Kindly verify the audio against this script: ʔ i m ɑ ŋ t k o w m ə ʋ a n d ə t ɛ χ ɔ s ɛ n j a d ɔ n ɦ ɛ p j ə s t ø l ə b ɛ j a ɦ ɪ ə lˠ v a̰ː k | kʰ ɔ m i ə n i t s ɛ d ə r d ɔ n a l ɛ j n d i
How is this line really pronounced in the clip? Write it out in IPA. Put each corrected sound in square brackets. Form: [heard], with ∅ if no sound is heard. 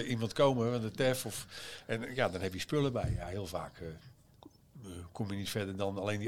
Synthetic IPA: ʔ i m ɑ [n] t k o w m ə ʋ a n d ə t ɛ [f] ɔ [f] ɛ n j a d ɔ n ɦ ɛ p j ə s [p] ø l ə b ɛ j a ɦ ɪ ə lˠ v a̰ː k | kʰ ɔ m [j] ə n i t [f] ɛ d ə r d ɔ n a l [e] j n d i